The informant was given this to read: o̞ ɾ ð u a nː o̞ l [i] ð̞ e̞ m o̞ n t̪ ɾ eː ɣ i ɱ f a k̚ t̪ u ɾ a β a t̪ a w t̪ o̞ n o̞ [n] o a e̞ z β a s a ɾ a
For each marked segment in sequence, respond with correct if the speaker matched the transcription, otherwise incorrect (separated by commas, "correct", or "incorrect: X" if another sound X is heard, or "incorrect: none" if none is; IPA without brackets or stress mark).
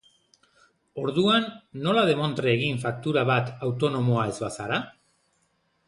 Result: incorrect: a, incorrect: m